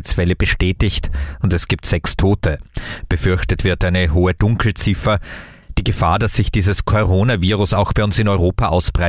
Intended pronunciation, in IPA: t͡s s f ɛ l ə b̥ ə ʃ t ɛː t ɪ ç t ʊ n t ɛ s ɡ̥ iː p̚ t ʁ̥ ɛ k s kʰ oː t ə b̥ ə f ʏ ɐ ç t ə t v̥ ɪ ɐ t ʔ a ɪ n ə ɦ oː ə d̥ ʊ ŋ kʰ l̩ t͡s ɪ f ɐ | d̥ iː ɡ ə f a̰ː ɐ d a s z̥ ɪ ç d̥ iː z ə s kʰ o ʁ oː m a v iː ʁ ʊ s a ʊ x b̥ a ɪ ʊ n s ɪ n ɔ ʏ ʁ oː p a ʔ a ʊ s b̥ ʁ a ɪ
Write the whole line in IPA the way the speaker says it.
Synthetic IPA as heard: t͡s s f ɛ l ə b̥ ə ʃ t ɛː t ɪ ç t ʊ n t ɛ s ɡ̥ iː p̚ t z̥ ɛ k s tʰ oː t ə b̥ ə f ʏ ɐ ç t ə t v̥ ɪ ɐ t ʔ a ɪ n ə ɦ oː ə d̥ ʊ ŋ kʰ l̩ t͡s ɪ f ɐ | d̥ iː ɡ ə f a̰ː ɐ d a s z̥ ɪ ç d̥ iː z ə s kʰ o ʁ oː n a v iː ʁ ʊ s a ʊ x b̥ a ɪ ʊ n s ɪ n ɔ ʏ ʁ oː p a ʔ a ʊ s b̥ ʁ a ɪ